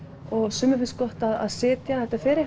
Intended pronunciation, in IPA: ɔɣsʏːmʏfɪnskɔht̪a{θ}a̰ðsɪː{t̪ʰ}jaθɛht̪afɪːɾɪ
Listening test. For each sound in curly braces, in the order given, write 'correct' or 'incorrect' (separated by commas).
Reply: incorrect, incorrect